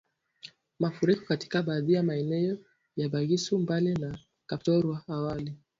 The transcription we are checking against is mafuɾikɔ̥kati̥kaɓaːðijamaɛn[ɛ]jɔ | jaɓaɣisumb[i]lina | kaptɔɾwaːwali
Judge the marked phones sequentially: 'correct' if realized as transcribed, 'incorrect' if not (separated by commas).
correct, incorrect